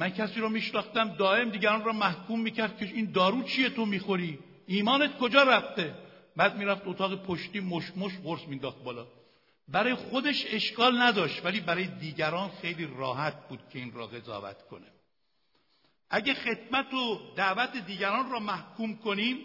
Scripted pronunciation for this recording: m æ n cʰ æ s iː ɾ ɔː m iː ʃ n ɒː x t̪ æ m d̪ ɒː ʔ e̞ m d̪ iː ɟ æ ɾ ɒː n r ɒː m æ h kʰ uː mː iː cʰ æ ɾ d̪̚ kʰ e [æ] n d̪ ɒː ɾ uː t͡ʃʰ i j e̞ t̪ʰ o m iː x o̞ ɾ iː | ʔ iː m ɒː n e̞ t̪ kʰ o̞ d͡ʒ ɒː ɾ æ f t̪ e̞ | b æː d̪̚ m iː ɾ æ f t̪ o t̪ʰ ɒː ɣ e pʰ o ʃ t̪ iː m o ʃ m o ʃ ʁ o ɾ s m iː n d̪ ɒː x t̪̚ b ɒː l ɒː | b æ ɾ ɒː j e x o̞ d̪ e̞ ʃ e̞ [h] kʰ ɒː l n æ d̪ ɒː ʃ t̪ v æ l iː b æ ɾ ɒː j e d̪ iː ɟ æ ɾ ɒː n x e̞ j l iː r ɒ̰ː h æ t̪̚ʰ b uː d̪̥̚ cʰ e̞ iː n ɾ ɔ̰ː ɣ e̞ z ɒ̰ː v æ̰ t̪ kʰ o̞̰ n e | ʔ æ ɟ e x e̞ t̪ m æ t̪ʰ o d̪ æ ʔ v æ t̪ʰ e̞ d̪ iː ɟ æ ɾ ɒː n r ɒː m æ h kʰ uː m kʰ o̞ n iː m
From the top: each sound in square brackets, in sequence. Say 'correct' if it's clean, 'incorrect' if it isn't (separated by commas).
incorrect, incorrect